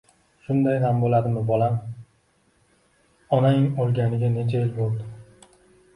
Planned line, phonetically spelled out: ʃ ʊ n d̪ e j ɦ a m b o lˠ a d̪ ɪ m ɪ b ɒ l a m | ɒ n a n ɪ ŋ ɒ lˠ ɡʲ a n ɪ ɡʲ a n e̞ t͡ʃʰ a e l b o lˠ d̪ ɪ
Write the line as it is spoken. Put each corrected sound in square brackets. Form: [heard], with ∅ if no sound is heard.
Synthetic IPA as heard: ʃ ʊ n d̪ [a] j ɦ a m b o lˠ a d̪ ɪ m ɪ b ɒ l a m | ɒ n a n ɪ ŋ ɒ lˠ ɡʲ a n ɪ ɡʲ a n e̞ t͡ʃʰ a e l b o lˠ d̪ ɪ